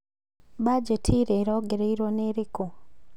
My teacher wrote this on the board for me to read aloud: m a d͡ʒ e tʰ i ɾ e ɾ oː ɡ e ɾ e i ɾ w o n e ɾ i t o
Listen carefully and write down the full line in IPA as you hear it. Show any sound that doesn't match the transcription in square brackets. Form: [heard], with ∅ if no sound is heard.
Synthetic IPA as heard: [b] a d͡ʒ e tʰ i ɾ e ɾ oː ɡ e ɾ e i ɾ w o n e ɾ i [k] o